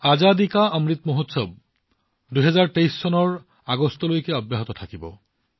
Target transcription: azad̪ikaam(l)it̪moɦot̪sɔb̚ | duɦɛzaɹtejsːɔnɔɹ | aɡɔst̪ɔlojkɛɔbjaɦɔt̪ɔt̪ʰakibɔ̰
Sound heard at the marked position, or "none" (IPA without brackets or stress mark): ɹ